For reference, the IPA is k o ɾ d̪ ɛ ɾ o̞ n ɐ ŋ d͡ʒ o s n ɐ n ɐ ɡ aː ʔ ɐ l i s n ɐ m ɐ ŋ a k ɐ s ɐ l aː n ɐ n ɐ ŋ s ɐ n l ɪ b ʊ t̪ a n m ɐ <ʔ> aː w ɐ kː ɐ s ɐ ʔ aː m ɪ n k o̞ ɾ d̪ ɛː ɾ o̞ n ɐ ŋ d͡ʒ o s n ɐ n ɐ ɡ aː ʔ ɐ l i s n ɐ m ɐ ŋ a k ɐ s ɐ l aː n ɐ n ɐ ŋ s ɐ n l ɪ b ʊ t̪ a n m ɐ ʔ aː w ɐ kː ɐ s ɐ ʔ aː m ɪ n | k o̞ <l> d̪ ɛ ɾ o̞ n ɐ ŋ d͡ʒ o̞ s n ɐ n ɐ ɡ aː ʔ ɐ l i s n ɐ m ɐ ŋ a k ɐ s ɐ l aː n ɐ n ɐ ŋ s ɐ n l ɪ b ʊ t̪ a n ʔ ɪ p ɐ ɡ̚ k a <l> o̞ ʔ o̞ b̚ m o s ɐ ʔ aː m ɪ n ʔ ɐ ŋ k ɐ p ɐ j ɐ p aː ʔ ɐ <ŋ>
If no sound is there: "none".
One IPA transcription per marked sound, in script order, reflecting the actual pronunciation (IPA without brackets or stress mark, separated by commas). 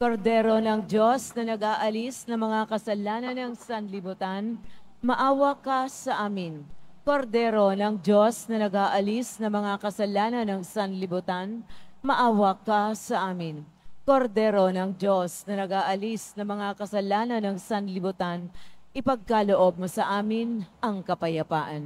ʔ, ɾ, l, n